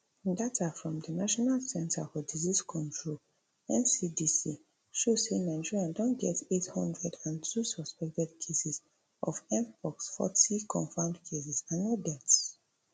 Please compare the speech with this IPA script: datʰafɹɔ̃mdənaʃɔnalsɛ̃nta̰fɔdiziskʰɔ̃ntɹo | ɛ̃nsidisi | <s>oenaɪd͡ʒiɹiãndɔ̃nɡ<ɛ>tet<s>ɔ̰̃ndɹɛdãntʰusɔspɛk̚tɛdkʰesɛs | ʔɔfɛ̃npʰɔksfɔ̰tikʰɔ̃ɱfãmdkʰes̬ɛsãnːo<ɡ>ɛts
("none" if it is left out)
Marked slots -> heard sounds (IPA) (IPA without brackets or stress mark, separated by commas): ʃ, ɛ, h, d